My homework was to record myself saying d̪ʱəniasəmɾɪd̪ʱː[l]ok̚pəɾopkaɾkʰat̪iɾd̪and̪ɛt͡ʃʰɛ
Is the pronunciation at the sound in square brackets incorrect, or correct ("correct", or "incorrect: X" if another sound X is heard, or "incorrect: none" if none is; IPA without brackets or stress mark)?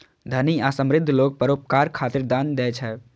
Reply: correct